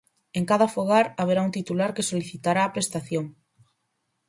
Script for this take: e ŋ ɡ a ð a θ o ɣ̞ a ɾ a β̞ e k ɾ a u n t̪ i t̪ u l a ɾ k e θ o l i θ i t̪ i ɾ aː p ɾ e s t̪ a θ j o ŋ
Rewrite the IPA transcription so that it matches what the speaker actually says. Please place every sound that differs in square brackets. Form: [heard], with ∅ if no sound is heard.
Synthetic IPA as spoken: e ŋ [k] a ð a [f] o ɣ̞ a ɾ a β̞ e [∅] ɾ a u n t̪ i t̪ u l a ɾ k e [s] o l i θ i t̪ [a] ɾ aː p ɾ e s t̪ a θ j o ŋ